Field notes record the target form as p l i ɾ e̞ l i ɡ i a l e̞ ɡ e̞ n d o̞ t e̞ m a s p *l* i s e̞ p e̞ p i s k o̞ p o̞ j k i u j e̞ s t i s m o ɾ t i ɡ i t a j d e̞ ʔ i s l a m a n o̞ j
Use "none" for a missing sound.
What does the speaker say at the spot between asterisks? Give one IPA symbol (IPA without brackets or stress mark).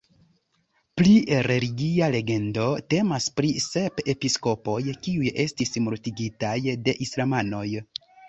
ɾ